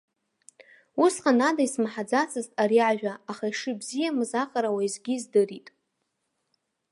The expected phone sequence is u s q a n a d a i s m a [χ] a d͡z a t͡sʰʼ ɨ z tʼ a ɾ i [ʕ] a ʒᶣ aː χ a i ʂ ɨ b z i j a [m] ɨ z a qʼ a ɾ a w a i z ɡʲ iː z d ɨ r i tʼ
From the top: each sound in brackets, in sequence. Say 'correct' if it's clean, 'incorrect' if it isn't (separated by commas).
incorrect, correct, correct